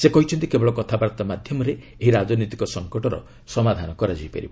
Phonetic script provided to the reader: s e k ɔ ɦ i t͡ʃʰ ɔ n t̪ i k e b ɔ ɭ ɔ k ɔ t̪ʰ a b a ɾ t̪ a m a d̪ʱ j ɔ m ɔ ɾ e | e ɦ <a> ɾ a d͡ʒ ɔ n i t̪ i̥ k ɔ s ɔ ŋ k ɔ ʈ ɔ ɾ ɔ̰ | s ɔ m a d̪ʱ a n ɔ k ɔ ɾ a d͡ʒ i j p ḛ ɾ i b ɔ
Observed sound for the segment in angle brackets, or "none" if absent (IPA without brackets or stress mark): i